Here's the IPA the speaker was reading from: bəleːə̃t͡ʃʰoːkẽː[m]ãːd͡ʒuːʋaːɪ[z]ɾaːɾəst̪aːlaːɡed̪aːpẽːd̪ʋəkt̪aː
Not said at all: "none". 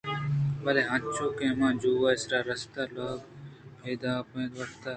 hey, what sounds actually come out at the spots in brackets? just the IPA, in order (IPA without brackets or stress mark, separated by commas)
m, s